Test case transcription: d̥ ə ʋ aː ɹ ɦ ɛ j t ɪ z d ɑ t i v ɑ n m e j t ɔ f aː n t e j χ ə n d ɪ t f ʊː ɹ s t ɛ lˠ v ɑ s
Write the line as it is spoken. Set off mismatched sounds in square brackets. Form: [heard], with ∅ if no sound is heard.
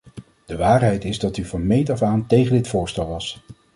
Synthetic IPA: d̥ ə ʋ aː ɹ ɦ ɛ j t ɪ z d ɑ t [y] v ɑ n m e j t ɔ f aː n t e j χ ə n d ɪ t f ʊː ɹ s t ɛ lˠ [ʋ] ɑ s